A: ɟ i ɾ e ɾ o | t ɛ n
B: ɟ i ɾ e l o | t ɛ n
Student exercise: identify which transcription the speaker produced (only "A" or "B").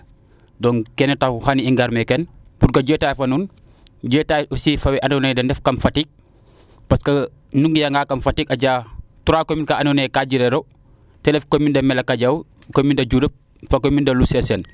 A